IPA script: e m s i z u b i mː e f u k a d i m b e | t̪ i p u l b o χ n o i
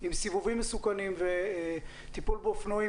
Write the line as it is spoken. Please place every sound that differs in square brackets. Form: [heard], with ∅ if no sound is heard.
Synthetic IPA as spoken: [i] m s i [v] u [v] i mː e [s] u k a [n] i m [v] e | t̪ i p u l b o [f] n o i